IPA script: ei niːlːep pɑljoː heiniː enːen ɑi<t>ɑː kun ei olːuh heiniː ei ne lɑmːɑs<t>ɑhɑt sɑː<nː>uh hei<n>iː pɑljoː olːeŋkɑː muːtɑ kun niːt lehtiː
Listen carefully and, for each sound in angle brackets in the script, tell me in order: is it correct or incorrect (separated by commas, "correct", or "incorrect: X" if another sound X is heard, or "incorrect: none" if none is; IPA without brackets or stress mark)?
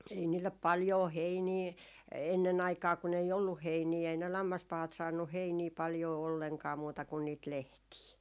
incorrect: k, incorrect: p, correct, correct